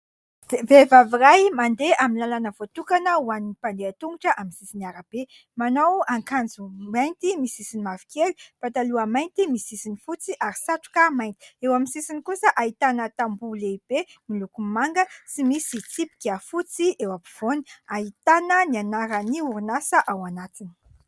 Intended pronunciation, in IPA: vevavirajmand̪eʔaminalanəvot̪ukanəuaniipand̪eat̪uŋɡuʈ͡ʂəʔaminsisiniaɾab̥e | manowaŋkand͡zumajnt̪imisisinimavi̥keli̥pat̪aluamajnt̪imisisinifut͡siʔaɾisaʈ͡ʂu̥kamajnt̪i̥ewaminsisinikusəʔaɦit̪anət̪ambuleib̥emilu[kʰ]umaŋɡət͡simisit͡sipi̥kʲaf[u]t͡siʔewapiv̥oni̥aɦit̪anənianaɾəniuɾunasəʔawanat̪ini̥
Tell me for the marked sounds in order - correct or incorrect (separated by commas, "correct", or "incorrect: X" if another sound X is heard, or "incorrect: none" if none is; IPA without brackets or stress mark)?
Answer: incorrect: k, correct